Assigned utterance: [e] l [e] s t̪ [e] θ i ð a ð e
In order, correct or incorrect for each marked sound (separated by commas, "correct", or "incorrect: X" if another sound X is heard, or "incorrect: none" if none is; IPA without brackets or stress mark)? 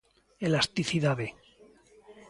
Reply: correct, incorrect: a, incorrect: i